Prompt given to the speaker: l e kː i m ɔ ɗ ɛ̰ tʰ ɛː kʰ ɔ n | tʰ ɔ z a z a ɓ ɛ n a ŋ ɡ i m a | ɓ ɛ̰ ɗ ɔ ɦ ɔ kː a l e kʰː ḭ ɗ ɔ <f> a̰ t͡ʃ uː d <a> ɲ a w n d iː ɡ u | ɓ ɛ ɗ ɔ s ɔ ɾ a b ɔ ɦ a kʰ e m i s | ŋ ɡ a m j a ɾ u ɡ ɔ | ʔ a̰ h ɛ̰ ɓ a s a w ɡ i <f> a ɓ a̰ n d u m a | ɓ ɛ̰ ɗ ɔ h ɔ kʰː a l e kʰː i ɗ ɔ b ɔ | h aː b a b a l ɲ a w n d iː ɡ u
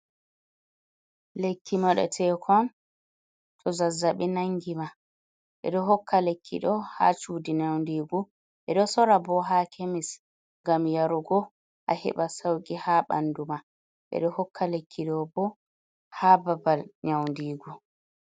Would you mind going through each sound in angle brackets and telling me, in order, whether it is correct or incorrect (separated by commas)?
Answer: incorrect, incorrect, incorrect